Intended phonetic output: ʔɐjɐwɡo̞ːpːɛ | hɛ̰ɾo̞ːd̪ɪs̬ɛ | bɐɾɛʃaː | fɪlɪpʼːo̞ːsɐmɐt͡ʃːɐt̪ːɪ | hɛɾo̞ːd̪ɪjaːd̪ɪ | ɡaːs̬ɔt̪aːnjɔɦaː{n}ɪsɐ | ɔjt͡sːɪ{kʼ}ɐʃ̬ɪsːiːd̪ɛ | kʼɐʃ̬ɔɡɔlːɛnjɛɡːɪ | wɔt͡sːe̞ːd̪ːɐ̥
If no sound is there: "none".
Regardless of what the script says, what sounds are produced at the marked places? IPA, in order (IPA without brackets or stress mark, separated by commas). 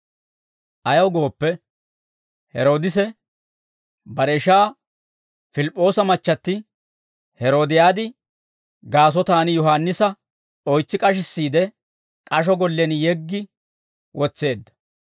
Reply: nː, kʼ